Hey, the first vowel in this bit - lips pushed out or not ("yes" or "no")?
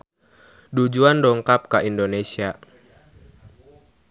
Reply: yes